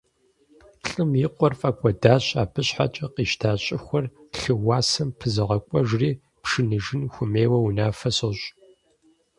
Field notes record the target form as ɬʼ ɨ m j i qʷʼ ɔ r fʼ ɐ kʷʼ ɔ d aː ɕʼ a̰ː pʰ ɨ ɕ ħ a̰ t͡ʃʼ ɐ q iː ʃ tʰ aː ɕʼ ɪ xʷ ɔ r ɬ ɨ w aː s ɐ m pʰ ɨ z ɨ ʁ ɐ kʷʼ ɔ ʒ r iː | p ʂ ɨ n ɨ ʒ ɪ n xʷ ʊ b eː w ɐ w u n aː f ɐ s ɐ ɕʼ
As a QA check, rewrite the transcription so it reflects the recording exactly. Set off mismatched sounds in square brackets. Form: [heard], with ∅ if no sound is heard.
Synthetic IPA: ɬʼ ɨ m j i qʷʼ ɔ r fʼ ɐ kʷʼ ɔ d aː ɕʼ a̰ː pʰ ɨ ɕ ħ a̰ t͡ʃʼ ɐ q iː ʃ tʰ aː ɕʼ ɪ xʷ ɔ r ɬ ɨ w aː s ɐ m pʰ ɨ z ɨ ʁ ɐ kʷʼ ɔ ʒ r iː | p ʂ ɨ n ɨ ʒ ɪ n xʷ ʊ [m] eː w ɐ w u n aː f ɐ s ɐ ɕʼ